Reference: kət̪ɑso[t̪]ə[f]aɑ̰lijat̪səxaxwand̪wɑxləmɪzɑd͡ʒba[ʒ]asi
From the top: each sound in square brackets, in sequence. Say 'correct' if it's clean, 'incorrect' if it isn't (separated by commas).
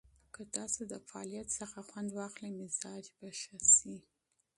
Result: incorrect, correct, incorrect